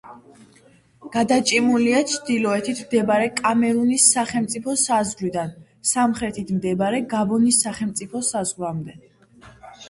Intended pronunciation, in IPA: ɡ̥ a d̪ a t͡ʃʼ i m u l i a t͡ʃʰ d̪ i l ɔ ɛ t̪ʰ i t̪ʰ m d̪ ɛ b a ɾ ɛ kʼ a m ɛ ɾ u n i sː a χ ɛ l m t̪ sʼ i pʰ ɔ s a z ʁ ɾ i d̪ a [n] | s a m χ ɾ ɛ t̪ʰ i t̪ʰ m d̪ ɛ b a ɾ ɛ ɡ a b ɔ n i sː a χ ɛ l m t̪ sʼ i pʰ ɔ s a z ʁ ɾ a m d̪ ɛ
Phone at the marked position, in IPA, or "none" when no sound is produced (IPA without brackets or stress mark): n